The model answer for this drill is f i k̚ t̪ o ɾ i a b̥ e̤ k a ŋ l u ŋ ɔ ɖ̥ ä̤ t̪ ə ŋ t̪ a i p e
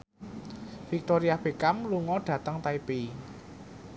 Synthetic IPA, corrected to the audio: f i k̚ t̪ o ɾ i a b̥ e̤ k a m l u ŋ ɔ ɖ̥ ä̤ t̪ ə ŋ t̪ a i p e